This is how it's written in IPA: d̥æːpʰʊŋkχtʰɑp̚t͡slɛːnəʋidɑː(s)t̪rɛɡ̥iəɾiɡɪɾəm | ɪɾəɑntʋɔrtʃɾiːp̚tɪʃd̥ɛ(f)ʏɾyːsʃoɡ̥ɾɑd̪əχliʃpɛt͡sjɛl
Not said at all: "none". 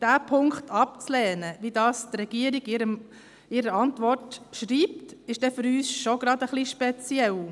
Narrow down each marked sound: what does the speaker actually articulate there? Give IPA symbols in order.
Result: s, f

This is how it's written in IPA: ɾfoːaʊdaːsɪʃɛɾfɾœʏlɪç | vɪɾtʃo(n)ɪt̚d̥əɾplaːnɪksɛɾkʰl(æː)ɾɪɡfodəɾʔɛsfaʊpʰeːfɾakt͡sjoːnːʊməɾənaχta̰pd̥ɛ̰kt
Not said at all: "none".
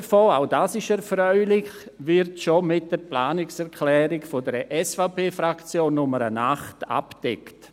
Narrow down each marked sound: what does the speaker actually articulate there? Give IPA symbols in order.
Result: m, ɛː

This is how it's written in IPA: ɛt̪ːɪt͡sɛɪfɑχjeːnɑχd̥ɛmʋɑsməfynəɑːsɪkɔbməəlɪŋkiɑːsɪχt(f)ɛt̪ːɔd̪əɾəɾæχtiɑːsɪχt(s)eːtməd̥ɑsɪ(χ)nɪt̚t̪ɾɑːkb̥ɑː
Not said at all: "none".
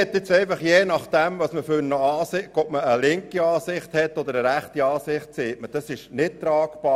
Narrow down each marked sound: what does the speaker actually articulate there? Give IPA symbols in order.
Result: h, s, ʃ

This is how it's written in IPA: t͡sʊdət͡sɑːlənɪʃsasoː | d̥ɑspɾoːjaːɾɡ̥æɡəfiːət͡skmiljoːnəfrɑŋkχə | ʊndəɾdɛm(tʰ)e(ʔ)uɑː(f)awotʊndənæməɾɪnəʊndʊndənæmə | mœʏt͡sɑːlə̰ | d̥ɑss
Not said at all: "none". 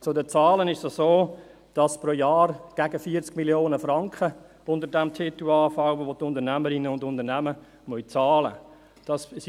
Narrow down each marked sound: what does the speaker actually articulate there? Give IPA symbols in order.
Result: tʰ, t, f

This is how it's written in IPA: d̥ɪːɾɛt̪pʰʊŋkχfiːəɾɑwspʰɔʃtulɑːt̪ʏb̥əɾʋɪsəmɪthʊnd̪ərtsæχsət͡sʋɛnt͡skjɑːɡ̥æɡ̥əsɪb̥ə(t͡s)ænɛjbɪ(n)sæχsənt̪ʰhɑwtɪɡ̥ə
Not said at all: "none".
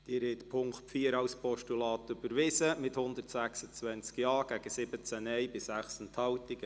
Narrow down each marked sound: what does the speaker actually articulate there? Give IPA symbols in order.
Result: t͡s, none

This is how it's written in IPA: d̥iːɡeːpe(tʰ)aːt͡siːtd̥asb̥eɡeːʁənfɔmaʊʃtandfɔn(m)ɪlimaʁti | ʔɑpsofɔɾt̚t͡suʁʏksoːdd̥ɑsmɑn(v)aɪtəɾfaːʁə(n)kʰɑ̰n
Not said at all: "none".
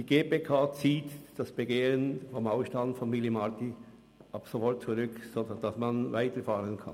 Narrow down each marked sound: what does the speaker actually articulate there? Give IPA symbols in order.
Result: kʰ, m, v, n

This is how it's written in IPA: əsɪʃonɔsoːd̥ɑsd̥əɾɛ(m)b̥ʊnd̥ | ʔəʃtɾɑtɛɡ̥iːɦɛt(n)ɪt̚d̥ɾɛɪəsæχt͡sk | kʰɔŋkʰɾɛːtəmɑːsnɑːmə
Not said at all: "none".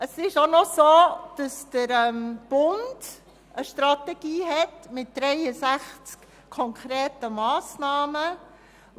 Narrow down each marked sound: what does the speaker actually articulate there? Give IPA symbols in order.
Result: m, m

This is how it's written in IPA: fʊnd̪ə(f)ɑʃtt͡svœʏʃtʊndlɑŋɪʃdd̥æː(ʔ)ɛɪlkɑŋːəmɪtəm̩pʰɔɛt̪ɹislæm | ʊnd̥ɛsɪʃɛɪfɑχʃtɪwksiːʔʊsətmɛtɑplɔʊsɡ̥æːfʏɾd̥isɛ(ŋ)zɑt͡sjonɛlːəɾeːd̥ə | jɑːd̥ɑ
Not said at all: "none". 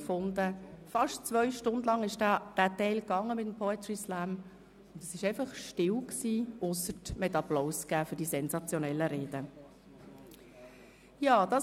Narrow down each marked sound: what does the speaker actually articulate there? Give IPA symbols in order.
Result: f, t, n

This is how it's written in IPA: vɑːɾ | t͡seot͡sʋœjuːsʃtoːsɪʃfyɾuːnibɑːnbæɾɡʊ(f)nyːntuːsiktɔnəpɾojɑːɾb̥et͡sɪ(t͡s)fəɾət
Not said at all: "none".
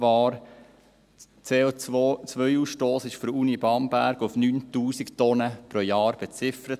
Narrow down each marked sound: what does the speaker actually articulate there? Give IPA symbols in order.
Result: f, none

